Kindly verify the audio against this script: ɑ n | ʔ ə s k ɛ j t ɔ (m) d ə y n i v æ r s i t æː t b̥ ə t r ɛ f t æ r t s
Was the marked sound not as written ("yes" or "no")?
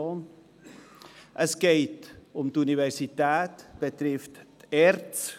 no